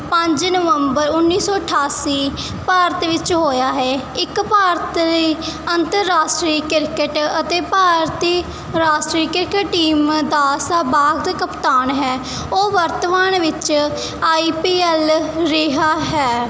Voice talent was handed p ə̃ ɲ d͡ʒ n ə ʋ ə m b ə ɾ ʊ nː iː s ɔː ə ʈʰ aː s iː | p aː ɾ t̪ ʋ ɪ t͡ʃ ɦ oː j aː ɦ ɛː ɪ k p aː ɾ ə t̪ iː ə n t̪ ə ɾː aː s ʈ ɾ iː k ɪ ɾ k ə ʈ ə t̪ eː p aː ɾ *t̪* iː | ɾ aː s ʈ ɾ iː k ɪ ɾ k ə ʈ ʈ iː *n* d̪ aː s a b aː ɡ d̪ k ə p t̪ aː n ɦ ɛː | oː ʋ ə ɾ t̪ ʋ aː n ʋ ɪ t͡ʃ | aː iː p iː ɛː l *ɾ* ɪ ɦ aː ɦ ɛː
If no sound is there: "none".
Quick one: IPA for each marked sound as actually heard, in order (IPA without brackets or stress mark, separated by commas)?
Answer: t̪, m, ɾ